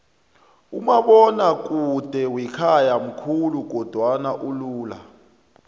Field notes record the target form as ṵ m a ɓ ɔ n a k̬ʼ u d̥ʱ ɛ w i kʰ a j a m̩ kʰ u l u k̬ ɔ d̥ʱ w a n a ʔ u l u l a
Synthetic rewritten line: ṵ m a ɓ ɔ n a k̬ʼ u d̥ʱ ɛ w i kʰ a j a m̩ kʰ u l u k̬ ɔ d̥ʱ w a n a ʔ u l uː l a